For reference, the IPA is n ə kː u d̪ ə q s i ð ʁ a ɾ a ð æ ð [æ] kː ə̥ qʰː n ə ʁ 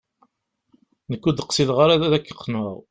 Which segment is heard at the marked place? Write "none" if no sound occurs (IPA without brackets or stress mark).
æ